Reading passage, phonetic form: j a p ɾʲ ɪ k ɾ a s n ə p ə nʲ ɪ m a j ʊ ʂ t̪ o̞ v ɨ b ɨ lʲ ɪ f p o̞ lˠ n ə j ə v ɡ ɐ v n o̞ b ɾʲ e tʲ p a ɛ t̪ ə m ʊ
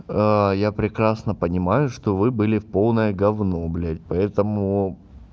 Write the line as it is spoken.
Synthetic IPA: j a p ɾʲ ɪ k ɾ a s n ə p ə nʲ ɪ m a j ʊ ʂ t̪ o̞ v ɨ b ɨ lʲ ɪ f p o̞ lˠ n ə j ə ɡ ɐ v n o̞ b lʲ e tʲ p ɐ ɛ t̪ ə m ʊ